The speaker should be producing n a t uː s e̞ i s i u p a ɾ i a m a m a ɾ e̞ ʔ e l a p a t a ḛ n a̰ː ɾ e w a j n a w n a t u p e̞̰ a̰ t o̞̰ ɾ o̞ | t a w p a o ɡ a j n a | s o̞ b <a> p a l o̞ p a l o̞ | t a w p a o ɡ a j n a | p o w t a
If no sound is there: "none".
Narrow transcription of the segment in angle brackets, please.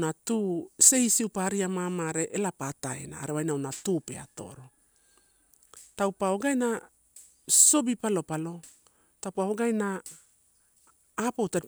i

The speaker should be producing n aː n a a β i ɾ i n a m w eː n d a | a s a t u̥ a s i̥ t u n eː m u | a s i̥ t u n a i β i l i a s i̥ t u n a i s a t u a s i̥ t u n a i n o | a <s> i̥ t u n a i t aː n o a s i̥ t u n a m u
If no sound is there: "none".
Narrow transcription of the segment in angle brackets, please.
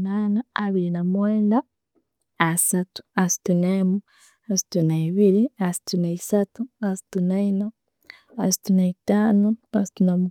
s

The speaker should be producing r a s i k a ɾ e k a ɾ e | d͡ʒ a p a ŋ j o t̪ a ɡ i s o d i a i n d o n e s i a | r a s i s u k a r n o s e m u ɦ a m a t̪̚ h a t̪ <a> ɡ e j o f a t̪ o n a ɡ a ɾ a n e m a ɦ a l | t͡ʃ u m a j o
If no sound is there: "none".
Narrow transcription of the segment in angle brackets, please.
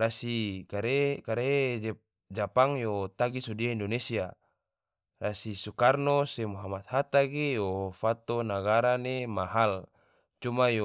a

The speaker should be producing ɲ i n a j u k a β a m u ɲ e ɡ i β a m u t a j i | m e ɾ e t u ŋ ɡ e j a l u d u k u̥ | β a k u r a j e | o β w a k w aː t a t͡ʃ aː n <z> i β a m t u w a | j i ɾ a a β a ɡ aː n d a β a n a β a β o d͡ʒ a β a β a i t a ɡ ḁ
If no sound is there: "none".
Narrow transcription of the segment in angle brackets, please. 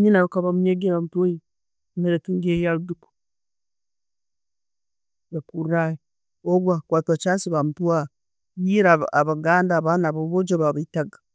s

